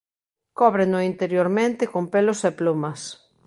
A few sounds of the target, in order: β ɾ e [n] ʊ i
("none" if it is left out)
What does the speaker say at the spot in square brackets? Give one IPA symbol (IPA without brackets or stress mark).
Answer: n